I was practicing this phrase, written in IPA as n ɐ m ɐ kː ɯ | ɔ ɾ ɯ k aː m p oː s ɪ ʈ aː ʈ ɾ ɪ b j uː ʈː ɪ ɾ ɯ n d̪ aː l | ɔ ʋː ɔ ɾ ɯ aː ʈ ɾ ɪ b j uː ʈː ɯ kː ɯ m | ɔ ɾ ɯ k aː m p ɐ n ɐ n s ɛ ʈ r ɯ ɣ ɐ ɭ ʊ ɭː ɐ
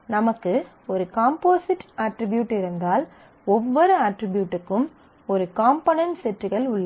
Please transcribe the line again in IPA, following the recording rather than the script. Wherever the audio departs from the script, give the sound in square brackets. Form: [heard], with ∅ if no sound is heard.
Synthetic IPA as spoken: n ɐ m ɐ kː ɯ | ɔ ɾ ɯ k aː m p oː s ɪ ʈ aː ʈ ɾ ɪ b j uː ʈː ɪ ɾ ɯ n d̪ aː l | ɔ ʋː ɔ ɾ ɯ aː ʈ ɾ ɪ b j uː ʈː ɯ kː ɯ m | ɔ ɾ ɯ k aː m p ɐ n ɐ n s ɛ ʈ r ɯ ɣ ɐ ɭ ʊ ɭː ɐ